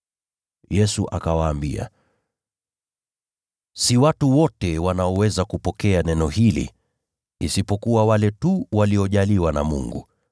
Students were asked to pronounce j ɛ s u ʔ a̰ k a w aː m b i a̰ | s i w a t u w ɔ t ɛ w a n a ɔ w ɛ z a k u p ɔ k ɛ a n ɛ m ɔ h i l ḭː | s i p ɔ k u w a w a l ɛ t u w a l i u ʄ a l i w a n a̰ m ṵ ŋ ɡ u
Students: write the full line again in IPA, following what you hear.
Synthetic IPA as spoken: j ɛ s u ʔ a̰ k a w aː m b i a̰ | s i w a t u w ɔ t ɛ w a n a ɔ w ɛ z a k u p ɔ k ɛ a n ɛ n ɔ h i l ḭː | s i p ɔ k u w a w a l ɛ t u w a l i ɔ ʄ a l i w a n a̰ m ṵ ŋ ɡ u

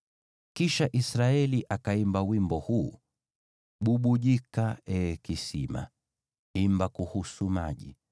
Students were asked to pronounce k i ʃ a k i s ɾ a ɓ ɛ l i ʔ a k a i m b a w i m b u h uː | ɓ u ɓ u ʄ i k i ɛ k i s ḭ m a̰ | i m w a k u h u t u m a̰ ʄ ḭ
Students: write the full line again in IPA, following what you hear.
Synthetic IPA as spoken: k i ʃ a ʔ i s ɾ a ɛ l i ʔ a k a i m b a w i m b ɔ h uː | ɓ u ɓ u ʄ i k a ɛ k i s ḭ m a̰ | i m b a k u h u s u m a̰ ʄ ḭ

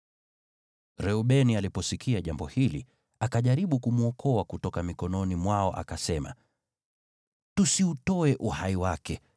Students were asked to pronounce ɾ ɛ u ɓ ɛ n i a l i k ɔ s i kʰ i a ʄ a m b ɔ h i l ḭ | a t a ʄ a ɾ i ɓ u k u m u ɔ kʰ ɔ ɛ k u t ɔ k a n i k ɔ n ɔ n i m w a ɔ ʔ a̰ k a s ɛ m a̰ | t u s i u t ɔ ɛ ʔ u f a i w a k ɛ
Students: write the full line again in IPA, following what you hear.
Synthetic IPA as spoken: ɾ ɛ u ɓ ɛ n i a l i p ɔ s i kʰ i a ʄ a m b ɔ h i l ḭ | a k a ʄ a ɾ i ɓ u k u m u ɔ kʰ ɔ a k u t ɔ k a m i k ɔ n ɔ n i m w a ɔ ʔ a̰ k a s ɛ m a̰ | t u s i u t ɔ ɛ ʔ u h a i w a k ɛ

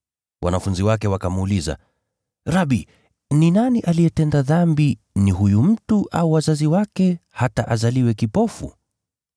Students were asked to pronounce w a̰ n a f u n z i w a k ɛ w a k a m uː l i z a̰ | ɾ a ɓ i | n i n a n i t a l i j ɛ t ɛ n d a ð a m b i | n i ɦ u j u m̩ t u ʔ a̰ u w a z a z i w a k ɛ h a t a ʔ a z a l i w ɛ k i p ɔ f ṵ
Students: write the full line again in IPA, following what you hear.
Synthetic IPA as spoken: w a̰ n a f u n z i w a k ɛ w a k a m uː l i z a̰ | ɾ a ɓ i | n i n a n i ʔ a l i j ɛ t ɛ n d a ð a m b i | n i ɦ u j u m̩ t u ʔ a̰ u w a z a z i w a k ɛ h a t a ʔ a z a l i w ɛ k i p ɔ f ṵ

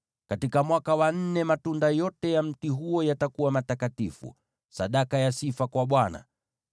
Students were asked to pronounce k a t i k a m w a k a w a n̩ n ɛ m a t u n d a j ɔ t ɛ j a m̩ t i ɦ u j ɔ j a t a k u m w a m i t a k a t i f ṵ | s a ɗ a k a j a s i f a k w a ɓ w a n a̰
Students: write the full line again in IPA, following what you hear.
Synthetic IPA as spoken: k a t i k a m w a k a w a n̩ n ɛ m a t u n d a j ɔ t ɛ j a m̩ t i ɦ u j ɔ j a t a k u w a m a t a k a t i f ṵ | s a ɗ a k a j a s i f a k w a ɓ w a n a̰

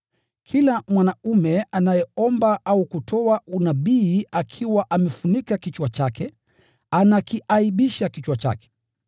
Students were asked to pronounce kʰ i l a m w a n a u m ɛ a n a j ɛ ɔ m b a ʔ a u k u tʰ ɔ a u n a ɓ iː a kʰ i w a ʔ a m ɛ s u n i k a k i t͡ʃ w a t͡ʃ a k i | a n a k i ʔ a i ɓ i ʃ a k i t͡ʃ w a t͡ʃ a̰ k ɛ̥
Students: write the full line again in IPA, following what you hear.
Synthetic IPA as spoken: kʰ i l a m w a n a u m ɛ a n a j ɛ ɔ m b a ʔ a u k u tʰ ɔ a u n a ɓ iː a kʰ i w a ʔ a m ɛ f u n i k a k i t͡ʃ w a t͡ʃ a k ɛ | a n a k i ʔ a i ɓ i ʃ a k i t͡ʃ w a t͡ʃ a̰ k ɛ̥

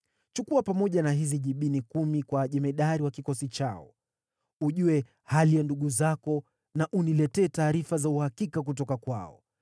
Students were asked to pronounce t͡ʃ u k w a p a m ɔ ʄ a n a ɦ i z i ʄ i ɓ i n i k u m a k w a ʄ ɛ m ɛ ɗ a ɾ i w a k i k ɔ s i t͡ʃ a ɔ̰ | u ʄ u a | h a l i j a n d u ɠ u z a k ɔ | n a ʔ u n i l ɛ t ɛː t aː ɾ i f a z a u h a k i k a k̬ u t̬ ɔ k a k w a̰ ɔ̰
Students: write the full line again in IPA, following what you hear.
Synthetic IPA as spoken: t͡ʃ u k u a p a m ɔ ʄ a n a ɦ i z i ʄ i ɓ i n i k u m i k w a ʄ ɛ m ɛ ɗ a ɾ i w a k i k ɔ s i t͡ʃ a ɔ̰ | u ʄ u ɛ | h a l i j a n d u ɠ u z a k ɔ | n a ʔ u n i l ɛ t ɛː t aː ɾ i f a z a u h a k i k a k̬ u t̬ ɔ k a k w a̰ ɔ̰

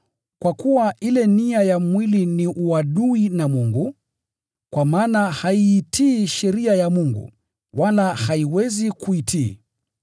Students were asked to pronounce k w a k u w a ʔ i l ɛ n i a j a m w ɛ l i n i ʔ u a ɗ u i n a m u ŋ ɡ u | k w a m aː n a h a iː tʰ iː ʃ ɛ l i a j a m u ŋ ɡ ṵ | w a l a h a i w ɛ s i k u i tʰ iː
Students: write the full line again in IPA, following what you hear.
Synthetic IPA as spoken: k w a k u w a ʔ i l ɛ n i a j a m w i l i n i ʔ u a ɗ u i n a m u ŋ ɡ u | k w a m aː n a h a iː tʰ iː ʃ ɛ ɾ i a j a m u ŋ ɡ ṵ | w a l a h a i w ɛ z i k u i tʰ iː

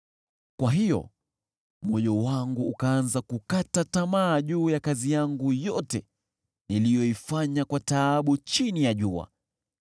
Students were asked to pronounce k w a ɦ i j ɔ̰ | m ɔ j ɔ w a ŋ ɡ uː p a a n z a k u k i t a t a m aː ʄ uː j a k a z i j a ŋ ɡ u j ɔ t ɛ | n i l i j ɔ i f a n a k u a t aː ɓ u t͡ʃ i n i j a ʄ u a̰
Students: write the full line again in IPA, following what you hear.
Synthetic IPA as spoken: k w a ɦ i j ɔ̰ | m ɔ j ɔ w a ŋ ɡ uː k a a n z a k u k a t a t a m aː ʄ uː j a k a z i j a ŋ ɡ u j ɔ t ɛ | n i l i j ɔ i f a ɲ a k w a t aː ɓ u t͡ʃ i n i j a ʄ u a̰

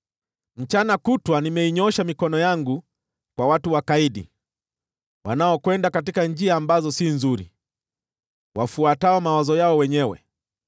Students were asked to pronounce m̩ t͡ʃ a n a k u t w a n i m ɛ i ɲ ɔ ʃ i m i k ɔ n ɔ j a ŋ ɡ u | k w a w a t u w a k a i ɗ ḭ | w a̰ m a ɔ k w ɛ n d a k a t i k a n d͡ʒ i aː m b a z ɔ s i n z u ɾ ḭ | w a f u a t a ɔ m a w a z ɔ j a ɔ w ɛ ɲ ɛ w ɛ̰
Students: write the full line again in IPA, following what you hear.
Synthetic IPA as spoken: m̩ t͡ʃ a n a k u t w a n i m ɛ i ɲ ɔ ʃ a m i k ɔ n ɔ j a ŋ ɡ u | k w a w a t u w a k a i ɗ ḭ | w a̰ n a ɔ k w ɛ n d a k a t i k a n d͡ʒ i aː m b a z ɔ s i n z u ɾ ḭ | w a f u a t a ɔ m a w a z ɔ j a ɔ w ɛ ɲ ɛ w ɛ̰

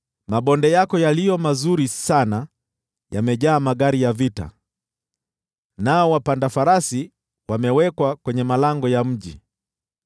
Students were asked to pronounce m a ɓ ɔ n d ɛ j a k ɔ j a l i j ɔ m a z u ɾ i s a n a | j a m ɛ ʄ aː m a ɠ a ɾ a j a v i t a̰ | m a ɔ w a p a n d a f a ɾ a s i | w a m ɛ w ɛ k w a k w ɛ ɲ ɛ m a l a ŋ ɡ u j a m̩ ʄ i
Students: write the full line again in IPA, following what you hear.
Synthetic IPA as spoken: m a ɓ ɔ n d ɛ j a k ɔ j a l i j ɔ m a z u ɾ i s a n a | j a m ɛ ʄ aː m a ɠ a ɾ i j a v i t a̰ | n a ɔ w a p a n d a f a ɾ a s i | w a m ɛ w ɛ k w a k w ɛ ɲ ɛ m a l a ŋ ɡ ɔ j a m̩ ʄ i

